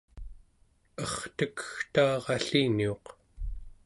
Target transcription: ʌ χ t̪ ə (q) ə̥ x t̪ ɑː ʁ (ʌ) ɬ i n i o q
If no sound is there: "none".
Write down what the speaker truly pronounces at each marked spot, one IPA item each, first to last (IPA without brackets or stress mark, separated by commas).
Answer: k, ɑ